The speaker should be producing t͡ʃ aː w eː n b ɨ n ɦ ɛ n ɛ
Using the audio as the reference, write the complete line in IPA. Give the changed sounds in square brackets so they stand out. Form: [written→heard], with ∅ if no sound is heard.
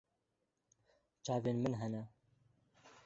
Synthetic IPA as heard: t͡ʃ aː [w→v] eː n [b→m] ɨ n ɦ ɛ n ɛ